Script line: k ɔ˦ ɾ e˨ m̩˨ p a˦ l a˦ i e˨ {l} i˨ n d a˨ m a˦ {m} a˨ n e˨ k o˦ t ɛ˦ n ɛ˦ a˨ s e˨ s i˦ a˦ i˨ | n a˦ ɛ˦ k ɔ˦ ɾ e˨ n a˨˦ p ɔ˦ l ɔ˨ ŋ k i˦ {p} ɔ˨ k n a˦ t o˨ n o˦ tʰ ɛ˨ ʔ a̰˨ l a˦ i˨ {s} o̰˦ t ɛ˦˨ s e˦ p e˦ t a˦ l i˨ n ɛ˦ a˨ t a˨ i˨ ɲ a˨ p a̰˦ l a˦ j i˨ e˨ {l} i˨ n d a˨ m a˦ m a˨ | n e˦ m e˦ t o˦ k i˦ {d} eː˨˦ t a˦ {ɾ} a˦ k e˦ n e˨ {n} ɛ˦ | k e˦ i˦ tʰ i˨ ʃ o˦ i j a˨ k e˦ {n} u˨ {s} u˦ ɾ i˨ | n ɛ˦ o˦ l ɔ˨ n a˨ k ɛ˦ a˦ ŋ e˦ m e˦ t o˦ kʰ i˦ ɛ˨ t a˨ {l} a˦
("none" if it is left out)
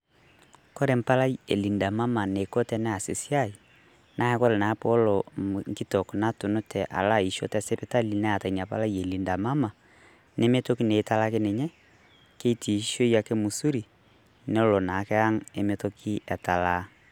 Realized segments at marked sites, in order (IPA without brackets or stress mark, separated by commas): l, m, t, ʃ, l, n, l, ɲ, m, s, l